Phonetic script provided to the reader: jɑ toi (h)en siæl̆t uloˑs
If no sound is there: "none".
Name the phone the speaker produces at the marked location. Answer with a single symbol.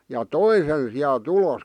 s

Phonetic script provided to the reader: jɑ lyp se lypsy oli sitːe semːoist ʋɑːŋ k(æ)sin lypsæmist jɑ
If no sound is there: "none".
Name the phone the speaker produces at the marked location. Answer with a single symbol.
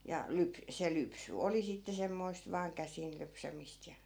æ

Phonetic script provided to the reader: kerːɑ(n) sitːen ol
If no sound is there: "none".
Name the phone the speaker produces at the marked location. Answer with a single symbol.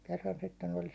n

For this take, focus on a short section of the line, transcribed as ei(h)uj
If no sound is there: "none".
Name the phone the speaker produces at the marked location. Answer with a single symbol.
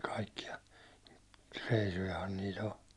s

